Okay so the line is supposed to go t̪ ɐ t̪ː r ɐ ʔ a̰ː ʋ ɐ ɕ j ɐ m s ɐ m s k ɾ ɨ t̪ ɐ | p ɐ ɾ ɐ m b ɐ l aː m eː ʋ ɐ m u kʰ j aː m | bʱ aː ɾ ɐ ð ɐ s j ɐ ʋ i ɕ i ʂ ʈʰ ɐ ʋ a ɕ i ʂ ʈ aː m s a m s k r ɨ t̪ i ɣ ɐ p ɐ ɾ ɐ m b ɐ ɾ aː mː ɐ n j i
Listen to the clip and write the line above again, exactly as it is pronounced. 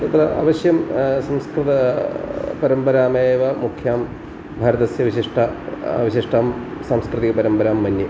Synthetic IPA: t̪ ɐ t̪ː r ɐ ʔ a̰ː ʋ ɐ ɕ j ɐ m s ɐ m s k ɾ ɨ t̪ ɐ | p ɐ ɾ ɐ m b ɐ ɾ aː m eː ʋ ɐ m u kʰ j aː m | bʱ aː ɾ ɐ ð ɐ s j ɐ ʋ i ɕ i ʂ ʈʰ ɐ ʋ i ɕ i ʂ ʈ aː m s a m s k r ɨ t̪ i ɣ ɐ p ɐ ɾ ɐ m b ɐ ɾ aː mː ɐ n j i